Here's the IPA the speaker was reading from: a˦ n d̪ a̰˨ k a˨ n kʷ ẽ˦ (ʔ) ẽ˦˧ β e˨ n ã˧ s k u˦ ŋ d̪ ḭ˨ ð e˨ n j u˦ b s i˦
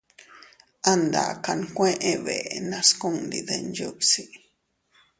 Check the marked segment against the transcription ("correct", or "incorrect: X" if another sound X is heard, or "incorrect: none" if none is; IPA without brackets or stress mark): correct